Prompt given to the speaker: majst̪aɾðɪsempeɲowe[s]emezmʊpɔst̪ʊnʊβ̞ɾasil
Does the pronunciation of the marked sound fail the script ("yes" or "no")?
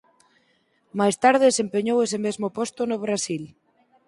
no